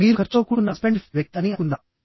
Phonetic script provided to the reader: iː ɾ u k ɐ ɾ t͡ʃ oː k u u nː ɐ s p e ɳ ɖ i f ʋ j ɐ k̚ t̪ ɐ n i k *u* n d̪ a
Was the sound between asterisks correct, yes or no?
yes